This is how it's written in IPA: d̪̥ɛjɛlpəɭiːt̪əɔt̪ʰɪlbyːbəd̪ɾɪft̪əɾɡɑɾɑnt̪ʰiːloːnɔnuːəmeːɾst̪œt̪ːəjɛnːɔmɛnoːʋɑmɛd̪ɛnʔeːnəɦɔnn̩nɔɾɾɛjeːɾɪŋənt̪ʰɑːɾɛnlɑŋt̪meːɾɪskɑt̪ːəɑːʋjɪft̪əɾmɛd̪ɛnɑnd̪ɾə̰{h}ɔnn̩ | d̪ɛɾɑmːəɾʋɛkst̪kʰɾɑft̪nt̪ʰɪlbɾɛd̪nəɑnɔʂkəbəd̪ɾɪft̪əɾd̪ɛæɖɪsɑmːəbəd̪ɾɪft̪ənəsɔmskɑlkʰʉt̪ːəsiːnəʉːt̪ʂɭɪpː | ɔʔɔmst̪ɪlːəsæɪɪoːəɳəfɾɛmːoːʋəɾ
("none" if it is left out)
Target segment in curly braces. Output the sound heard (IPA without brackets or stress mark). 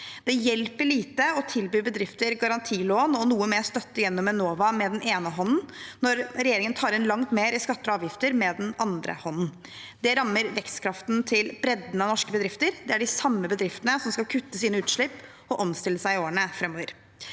h